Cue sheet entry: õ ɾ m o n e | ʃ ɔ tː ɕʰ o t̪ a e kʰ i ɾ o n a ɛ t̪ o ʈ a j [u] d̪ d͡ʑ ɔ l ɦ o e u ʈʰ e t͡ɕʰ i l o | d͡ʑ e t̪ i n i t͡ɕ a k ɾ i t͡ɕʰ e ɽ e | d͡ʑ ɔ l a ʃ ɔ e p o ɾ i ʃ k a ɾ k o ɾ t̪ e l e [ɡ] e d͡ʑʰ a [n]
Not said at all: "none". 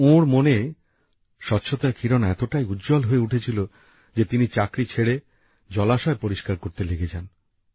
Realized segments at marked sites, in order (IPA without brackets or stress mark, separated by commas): u, ɡ, n